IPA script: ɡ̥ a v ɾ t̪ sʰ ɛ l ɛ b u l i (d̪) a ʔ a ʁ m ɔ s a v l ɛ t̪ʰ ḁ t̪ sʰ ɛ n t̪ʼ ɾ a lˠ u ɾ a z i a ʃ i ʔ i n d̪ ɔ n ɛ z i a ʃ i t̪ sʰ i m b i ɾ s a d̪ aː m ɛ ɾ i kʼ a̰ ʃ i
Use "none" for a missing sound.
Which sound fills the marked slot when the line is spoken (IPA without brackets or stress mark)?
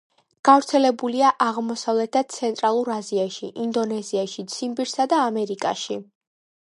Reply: none